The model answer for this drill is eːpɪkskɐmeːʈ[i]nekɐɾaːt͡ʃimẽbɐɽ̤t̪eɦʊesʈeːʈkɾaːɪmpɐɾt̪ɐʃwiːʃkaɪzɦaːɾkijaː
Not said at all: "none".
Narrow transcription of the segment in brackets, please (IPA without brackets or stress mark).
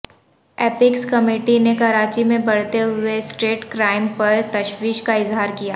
i